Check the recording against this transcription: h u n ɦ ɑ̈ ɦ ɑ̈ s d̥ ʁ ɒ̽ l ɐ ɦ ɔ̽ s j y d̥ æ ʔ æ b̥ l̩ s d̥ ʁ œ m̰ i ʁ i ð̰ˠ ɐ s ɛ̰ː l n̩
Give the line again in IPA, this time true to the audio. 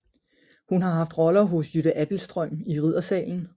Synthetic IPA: h u n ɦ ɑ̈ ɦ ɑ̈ f d̥ ʁ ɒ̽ l ɐ ɦ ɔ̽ s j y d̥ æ ʔ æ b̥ l̩ s d̥ ʁ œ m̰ i ʁ i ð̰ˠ ɐ s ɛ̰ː l n̩

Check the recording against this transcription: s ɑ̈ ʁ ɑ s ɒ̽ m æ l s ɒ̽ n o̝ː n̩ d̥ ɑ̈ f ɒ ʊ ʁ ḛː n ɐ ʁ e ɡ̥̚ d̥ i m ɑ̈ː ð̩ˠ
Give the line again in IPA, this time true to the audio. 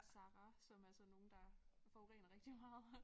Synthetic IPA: s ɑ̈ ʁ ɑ s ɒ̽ m æ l s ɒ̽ n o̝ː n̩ d̥ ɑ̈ f ɒ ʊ ʁ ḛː n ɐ ʁ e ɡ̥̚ d̥ i m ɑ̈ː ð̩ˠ

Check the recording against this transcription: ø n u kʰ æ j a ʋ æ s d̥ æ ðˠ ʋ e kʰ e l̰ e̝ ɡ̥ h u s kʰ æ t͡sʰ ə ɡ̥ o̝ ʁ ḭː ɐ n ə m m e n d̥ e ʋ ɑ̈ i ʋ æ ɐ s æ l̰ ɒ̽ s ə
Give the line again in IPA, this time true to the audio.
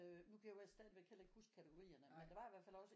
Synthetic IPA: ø n u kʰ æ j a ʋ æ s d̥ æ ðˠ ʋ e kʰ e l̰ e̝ ɡ̥ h u s kʰ æ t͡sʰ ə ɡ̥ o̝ ʁ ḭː ɐ n ə m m e n d̥ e ʋ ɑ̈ i ʋ æ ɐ f æ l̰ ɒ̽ s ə

